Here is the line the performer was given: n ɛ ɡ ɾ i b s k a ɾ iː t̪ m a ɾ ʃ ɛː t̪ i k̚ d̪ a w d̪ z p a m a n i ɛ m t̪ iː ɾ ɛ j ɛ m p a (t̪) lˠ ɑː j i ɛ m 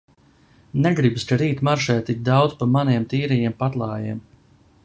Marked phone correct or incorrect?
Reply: correct